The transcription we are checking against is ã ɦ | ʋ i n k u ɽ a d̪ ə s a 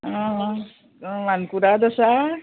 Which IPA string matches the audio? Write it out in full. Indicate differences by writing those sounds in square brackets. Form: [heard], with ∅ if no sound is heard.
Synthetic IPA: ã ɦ | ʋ [a] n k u [ɾ] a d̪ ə s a